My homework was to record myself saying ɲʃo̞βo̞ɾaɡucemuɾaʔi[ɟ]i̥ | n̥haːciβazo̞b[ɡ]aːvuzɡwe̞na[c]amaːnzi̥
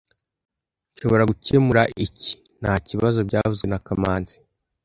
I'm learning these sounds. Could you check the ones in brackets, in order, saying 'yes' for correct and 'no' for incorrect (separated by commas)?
no, no, no